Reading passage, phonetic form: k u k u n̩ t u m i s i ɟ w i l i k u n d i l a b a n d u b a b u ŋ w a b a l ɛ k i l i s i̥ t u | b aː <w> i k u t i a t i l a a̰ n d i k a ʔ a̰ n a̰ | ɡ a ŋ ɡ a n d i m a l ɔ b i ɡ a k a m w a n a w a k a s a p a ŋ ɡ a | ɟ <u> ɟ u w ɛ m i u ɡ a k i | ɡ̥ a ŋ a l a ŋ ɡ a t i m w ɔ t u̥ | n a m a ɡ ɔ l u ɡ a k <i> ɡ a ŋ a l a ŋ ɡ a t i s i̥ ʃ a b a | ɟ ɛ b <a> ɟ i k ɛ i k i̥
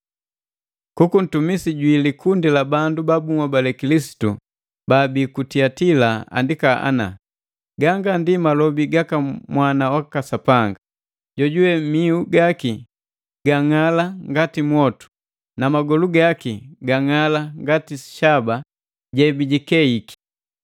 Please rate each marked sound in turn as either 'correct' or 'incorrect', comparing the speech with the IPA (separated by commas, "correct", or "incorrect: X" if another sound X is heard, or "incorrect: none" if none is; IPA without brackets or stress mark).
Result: incorrect: b, incorrect: ɔ, correct, incorrect: i